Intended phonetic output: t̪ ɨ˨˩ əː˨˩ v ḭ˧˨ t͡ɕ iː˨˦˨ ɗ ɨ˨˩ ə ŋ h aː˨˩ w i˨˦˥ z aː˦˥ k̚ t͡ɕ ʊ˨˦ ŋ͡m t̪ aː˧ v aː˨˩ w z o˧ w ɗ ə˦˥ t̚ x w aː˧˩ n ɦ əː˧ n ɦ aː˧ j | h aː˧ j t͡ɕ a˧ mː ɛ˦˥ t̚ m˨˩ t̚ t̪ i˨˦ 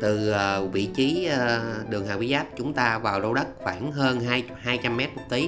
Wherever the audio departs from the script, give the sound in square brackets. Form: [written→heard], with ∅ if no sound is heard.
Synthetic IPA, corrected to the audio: t̪ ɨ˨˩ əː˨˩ v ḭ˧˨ t͡ɕ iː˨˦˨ ɗ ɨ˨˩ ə ŋ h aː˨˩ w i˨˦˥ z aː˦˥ [k̚→p̚] t͡ɕ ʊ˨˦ ŋ͡m t̪ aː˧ v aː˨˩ w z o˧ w ɗ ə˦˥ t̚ x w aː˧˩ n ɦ əː˧ n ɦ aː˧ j | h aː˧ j t͡ɕ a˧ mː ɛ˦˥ t̚ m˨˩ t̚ t̪ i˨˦